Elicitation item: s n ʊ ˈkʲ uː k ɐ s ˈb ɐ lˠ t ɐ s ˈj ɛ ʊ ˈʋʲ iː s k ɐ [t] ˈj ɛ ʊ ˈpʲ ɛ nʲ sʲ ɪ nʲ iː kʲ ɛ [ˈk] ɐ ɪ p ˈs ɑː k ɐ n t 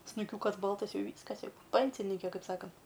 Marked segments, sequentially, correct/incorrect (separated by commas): incorrect, correct